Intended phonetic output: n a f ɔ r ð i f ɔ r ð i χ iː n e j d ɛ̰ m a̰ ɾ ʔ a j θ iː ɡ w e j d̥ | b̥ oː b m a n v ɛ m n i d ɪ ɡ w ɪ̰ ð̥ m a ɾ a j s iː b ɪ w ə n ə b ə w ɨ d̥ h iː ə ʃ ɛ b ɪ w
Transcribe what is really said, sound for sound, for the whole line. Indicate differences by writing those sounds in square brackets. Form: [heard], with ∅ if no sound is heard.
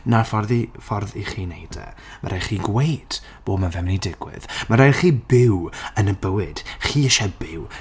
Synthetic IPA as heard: n a f ɔ r ð i f ɔ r ð i χ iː n e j d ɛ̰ m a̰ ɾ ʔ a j [χ] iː ɡ w e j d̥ | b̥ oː b m a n v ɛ m n i d ɪ ɡ w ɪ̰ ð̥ m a ɾ a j [χ] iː b ɪ w ə n ə b ə w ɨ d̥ [χ] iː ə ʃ ɛ b ɪ w